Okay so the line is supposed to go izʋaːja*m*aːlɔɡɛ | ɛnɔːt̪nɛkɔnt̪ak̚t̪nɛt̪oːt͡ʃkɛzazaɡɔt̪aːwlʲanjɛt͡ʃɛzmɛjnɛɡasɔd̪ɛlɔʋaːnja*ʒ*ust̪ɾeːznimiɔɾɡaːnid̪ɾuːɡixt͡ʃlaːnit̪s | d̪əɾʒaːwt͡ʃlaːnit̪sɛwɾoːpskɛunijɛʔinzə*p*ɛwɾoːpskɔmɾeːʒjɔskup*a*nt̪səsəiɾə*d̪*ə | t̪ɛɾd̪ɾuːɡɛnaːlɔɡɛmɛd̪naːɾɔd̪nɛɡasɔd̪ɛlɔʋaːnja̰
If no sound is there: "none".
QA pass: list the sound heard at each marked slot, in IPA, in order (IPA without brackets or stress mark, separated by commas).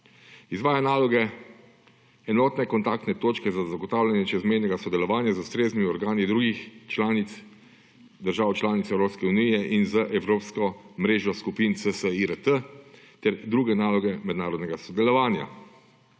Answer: n, z, ʔ, i, t̪